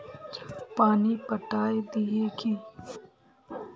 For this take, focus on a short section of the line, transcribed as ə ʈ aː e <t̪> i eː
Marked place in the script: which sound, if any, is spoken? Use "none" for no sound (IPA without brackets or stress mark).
d̪